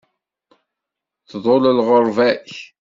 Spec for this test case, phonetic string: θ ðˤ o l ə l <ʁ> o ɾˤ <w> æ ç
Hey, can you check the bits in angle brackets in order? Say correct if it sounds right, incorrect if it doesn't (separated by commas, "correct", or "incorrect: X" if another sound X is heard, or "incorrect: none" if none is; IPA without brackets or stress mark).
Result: correct, incorrect: v